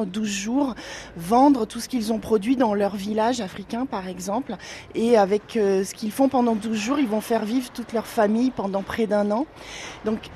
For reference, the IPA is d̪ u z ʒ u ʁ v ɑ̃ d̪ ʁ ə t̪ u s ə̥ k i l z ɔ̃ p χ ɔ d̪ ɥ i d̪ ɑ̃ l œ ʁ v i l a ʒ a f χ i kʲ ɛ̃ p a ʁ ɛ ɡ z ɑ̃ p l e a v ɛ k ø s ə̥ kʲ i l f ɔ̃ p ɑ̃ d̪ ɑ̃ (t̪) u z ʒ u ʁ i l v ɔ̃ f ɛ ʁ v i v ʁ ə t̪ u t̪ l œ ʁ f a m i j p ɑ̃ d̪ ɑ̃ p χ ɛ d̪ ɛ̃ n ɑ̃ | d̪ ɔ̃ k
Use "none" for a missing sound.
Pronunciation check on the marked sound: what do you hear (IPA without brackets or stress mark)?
d̪